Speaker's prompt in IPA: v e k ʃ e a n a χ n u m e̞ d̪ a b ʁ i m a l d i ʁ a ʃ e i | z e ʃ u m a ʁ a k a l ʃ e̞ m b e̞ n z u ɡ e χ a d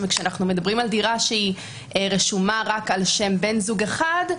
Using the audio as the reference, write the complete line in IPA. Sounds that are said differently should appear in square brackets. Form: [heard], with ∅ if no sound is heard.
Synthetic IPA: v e k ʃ e a n a χ n u m e̞ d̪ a b ʁ i m a l d i ʁ a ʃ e i | [ʁ] e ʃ u m a ʁ a k a l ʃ e̞ m b e̞ n z u ɡ e χ a d